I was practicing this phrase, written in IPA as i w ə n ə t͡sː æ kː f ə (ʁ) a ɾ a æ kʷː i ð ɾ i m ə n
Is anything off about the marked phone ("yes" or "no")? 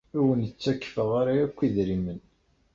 no